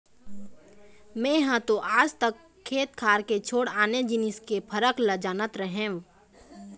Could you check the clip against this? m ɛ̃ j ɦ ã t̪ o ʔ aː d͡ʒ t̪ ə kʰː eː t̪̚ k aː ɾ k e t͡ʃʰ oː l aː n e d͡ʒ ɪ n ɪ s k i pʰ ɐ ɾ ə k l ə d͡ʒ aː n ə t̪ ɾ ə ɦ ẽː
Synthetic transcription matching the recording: m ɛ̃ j ɦ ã t̪ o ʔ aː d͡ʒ t̪ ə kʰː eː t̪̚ kʰ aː ɾ k e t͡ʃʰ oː ɽ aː n e d͡ʒ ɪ n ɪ s k e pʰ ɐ ɾ ə k l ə d͡ʒ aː n ə t̪ ɾ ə ɦ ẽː